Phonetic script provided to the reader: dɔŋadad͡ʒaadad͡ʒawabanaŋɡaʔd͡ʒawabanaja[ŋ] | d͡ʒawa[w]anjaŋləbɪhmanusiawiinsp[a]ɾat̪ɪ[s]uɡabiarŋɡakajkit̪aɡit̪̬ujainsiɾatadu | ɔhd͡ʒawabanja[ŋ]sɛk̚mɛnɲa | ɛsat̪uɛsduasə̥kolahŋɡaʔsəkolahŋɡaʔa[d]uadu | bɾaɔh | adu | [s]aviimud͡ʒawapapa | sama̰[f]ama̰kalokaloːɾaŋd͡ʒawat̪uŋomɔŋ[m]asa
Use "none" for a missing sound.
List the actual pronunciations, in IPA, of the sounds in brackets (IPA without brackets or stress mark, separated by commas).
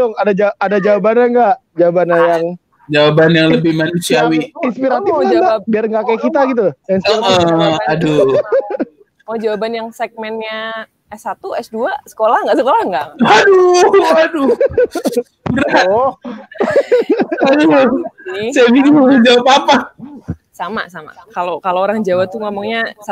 ŋ, b, i, f, ŋ, d, s, s, ɲ